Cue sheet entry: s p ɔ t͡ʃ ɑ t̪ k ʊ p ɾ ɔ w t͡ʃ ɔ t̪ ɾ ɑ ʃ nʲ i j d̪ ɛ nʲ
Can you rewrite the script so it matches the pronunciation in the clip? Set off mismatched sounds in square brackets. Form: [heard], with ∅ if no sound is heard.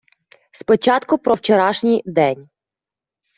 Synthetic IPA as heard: s p ɔ t͡ʃ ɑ t̪ k ʊ p ɾ ɔ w t͡ʃ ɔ [∅] ɾ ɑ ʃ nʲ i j d̪ ɛ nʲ